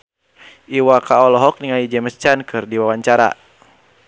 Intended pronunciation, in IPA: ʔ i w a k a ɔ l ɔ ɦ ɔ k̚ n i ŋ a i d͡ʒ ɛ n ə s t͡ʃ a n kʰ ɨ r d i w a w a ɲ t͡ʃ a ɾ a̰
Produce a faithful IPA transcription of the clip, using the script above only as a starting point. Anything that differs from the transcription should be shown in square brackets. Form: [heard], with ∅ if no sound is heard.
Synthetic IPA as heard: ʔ i w a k a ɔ l ɔ ɦ ɔ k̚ n i ŋ a i d͡ʒ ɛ [m] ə s t͡ʃ a n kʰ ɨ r d i w a w a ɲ t͡ʃ a ɾ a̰